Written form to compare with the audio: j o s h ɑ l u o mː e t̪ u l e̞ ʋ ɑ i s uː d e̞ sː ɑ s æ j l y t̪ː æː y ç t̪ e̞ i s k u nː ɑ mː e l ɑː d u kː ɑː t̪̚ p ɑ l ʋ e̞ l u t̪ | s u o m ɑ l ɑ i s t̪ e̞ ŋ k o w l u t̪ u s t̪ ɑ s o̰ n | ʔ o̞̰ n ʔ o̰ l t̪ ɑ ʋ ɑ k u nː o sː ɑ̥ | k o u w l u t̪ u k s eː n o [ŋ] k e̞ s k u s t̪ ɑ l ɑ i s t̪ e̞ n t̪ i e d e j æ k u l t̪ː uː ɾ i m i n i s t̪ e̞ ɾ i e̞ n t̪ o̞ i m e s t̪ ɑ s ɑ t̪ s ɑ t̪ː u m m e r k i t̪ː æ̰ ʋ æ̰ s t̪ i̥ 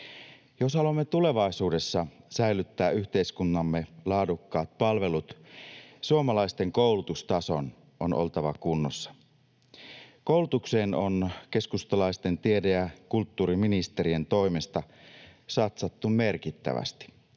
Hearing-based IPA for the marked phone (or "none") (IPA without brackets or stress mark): n